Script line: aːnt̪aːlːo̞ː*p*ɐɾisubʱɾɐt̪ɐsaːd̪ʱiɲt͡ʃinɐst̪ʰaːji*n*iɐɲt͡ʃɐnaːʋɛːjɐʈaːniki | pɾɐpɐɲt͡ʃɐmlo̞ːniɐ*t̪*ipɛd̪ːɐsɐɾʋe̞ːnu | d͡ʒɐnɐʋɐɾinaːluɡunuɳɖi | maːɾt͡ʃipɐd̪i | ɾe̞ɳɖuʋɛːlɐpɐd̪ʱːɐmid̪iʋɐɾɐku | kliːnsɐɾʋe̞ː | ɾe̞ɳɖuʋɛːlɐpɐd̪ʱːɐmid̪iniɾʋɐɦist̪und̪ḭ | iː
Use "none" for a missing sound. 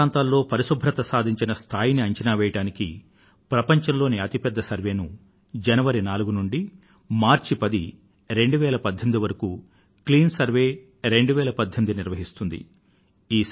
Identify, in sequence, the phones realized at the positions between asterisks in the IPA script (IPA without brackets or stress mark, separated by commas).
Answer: p, n, t̪